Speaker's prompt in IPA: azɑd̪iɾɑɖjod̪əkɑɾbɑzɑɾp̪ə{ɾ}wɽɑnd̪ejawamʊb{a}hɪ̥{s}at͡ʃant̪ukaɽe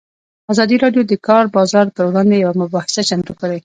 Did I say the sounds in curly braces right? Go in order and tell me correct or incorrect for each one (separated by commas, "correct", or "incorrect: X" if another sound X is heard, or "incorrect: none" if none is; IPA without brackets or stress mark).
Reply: correct, incorrect: ɑ, correct